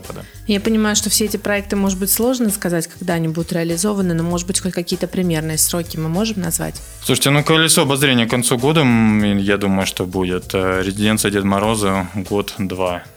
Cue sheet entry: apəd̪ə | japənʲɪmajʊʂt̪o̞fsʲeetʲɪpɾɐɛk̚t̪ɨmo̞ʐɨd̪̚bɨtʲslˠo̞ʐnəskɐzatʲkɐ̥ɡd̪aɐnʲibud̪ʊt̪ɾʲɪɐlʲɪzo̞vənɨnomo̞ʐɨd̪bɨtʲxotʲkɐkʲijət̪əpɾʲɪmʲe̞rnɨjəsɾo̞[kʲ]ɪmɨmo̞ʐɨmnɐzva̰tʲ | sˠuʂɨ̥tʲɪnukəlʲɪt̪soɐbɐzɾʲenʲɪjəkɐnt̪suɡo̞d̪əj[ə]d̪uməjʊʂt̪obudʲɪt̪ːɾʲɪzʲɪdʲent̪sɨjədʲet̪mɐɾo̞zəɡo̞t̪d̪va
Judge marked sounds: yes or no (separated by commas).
yes, no